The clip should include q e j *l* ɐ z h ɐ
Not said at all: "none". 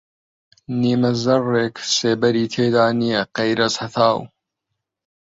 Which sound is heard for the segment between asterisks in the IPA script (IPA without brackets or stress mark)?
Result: ɾ